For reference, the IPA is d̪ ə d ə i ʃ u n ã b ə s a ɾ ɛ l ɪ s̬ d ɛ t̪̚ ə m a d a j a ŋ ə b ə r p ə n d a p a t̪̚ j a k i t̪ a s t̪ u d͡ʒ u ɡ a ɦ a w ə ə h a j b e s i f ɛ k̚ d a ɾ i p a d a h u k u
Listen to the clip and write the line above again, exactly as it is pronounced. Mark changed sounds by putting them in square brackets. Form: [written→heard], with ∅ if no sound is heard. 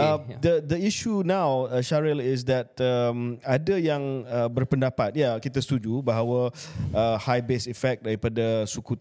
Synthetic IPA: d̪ ə d ə i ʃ u n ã [b→w] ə [s→ʃ] a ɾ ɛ l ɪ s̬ d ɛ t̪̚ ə m a d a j a ŋ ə b ə r p ə n d a p a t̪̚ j a k i t̪ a s t̪ u d͡ʒ u [ɡ→b] a ɦ a w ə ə h a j b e s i f ɛ k̚ d a ɾ i p a d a [h→s] u k u